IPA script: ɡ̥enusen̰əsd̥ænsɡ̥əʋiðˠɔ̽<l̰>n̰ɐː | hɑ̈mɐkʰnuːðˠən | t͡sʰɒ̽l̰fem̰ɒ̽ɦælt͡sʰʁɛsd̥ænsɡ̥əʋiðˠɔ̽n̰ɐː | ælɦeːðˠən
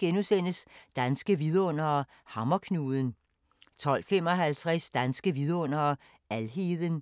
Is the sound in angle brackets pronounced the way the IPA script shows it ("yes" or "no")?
no